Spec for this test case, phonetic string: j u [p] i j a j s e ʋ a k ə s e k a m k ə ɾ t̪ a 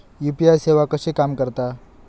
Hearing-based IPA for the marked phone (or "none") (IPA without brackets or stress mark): p